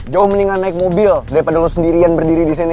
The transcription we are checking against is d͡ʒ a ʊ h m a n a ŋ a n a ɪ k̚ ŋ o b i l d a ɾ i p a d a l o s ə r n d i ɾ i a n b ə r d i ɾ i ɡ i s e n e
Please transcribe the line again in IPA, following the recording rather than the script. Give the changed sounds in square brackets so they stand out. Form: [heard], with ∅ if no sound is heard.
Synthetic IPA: d͡ʒ a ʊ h m [ə] n [i] ŋ a n a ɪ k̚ [m] o b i l d a ɾ i p a d a l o s ə [∅] n d i ɾ i a n b ə r d i ɾ i [d] i s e n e

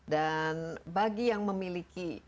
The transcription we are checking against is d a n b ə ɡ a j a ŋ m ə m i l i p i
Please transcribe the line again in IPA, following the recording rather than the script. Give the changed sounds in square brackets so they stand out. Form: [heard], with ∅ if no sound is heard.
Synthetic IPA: d a n b [a] ɡ [i] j a ŋ m ə m i l i [k] i

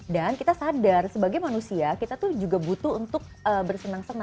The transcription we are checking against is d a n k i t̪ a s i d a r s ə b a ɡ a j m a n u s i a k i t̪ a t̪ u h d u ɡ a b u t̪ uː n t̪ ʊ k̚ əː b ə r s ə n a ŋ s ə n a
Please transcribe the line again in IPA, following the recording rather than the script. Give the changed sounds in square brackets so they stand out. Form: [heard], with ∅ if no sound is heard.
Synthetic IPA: d a n k i t̪ a s [a] d a r s ə b a ɡ a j m a n u s i a k i t̪ a t̪ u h [d͡ʒ] u ɡ a b u t̪ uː n t̪ ʊ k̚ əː b ə r s ə n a ŋ s ə n a

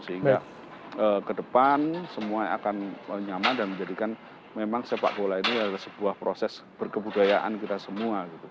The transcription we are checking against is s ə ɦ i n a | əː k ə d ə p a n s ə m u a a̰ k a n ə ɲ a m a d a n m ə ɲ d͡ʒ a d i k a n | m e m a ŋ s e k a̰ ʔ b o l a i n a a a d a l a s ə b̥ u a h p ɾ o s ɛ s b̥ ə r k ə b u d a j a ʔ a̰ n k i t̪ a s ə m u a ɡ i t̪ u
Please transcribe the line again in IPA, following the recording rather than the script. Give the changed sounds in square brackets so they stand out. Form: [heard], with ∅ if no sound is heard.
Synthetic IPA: s ə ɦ i [ŋ] a | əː k ə d ə p a n s ə m u a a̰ k a n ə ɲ a m a d a n m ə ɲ d͡ʒ a d i k a n | m e m a ŋ s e [p] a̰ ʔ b o l a i n [i] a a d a l a s ə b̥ u a h p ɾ o s ɛ s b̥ ə r k ə b u d a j a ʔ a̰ n k i t̪ a s ə m u a ɡ i t̪ u

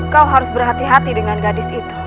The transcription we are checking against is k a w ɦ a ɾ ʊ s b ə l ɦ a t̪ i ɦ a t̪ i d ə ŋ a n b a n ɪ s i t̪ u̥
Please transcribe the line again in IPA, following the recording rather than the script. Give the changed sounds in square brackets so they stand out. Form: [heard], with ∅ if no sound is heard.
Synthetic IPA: k a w ɦ a ɾ ʊ s b ə [r] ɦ a t̪ i ɦ a t̪ i d ə ŋ a n [ɡ] a [d] ɪ s i t̪ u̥

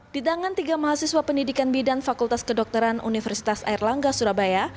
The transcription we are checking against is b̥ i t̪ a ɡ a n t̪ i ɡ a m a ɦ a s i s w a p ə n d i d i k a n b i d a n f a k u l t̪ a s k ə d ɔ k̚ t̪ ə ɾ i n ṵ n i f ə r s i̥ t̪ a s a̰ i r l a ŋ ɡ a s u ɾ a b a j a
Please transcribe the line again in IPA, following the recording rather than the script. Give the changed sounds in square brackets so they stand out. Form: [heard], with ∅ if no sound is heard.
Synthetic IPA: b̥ i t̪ a [ŋ] a n t̪ i ɡ a m a ɦ a s i s w a p ə n d i d i k a n b i d a n f a k u l t̪ a s k ə d ɔ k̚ t̪ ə ɾ [a] n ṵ n i f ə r s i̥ t̪ a s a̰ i r l a ŋ ɡ a s u ɾ a b a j a

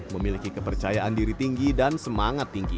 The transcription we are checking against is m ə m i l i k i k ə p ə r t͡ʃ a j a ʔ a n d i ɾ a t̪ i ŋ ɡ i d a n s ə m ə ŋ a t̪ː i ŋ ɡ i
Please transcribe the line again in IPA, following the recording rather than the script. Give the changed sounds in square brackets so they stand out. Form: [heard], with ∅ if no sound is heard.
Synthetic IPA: m ə m i l i k i k ə p ə r t͡ʃ a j a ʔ a n d i ɾ [i] t̪ i ŋ ɡ i d a n s ə m [a] ŋ a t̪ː i ŋ ɡ i

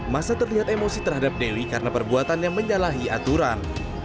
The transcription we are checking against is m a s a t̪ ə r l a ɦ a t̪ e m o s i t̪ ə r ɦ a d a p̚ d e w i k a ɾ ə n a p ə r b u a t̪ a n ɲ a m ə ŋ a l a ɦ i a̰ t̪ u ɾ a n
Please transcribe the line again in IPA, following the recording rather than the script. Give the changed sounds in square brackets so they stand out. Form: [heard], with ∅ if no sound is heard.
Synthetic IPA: m a s a t̪ ə r l [i] ɦ a t̪ e m o s i t̪ ə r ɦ a d a p̚ d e w i k a ɾ ə n a p ə r b u a t̪ a n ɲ a m ə [ɲ] a l a ɦ i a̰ t̪ u ɾ a n

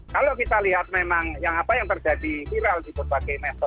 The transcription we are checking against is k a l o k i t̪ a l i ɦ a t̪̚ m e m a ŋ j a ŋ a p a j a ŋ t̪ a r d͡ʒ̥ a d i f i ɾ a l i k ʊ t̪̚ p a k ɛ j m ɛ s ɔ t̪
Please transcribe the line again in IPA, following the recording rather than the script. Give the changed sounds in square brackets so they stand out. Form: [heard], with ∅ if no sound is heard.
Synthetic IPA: k a l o k i t̪ a l i ɦ a t̪̚ m e m a ŋ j a ŋ a p a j a ŋ t̪ [ə] r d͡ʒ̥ a d i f i ɾ a l i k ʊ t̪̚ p a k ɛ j m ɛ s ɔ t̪

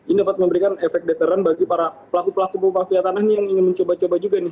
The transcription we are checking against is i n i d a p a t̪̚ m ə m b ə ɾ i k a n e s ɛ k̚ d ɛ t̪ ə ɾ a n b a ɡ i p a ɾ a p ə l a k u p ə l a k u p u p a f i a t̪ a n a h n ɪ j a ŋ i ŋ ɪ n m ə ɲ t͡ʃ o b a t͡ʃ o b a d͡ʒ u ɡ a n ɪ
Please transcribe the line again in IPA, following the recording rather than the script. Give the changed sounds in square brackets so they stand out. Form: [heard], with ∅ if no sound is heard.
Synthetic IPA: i n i d a p a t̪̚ m ə m b ə ɾ i k a n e [f] ɛ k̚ d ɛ t̪ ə ɾ a n b a ɡ i p a ɾ a p ə l a k u p ə l a k u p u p a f i a t̪ a n a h n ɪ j a ŋ i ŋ ɪ n m ə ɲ t͡ʃ o b a t͡ʃ o b a d͡ʒ u ɡ a n ɪ

